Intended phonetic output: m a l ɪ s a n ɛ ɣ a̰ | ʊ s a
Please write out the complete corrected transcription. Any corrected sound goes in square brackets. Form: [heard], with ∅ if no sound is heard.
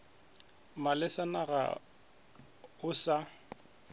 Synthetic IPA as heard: m a l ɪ s a n [a] ɣ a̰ | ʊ s a